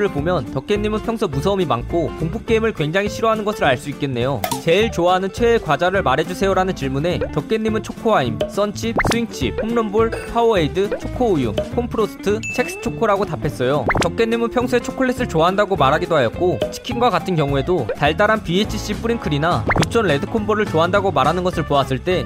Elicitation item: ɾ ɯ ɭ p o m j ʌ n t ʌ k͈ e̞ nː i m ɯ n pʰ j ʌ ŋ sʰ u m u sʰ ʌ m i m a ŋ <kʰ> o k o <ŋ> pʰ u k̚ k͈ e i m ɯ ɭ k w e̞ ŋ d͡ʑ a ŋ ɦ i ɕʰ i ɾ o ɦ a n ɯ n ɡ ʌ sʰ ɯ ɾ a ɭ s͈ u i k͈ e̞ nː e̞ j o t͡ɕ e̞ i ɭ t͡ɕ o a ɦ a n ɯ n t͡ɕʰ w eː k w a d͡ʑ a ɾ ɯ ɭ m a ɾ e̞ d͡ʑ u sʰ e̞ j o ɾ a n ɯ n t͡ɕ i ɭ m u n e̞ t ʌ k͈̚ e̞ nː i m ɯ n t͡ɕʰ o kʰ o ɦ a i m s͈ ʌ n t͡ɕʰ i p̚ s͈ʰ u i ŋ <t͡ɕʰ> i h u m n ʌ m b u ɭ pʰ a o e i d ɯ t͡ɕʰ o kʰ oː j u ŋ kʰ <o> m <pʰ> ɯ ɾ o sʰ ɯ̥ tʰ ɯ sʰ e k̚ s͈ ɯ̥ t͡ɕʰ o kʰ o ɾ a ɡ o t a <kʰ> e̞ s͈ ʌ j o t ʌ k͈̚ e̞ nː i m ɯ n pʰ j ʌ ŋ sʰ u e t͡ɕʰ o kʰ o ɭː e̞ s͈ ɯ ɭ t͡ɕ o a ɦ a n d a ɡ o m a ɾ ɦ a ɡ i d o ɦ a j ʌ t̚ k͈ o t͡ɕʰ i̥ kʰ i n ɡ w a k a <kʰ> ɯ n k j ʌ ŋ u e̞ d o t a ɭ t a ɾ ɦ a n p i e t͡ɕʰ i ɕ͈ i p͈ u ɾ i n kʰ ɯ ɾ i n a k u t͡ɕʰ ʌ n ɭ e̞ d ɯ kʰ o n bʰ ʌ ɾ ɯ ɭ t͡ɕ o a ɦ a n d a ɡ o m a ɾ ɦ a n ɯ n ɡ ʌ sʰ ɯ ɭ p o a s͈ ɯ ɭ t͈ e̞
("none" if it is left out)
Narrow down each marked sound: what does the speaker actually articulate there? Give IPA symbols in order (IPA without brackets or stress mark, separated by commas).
kʰ, ŋ, t͡ɕʰ, o, pʰ, pʰ, tʰ